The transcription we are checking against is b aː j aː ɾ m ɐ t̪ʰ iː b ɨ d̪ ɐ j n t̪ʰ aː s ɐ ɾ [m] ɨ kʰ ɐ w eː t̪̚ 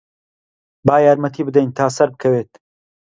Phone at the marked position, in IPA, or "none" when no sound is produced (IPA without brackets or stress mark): b